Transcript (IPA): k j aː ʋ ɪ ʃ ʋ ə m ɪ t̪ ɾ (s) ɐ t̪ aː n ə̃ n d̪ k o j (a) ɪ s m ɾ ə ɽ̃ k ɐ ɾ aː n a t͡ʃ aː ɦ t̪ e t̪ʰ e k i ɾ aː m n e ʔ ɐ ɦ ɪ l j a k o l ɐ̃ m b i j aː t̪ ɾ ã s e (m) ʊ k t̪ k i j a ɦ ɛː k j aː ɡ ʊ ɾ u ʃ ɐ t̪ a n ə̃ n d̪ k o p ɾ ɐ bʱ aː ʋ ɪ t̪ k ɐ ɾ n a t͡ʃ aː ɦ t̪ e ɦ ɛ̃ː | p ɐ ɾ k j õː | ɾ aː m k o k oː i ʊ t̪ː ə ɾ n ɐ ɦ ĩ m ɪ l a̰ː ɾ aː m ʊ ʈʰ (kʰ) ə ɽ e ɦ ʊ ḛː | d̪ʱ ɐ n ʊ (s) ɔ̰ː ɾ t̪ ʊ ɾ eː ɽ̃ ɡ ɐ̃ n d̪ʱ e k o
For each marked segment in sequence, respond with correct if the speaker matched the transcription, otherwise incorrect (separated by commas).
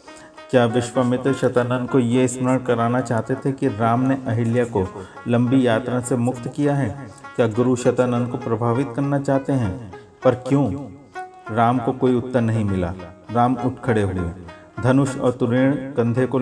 incorrect, incorrect, correct, correct, incorrect